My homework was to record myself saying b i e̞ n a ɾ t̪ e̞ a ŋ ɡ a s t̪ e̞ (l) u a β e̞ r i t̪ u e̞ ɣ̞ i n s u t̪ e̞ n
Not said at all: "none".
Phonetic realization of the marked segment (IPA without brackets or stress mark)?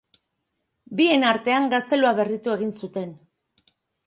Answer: l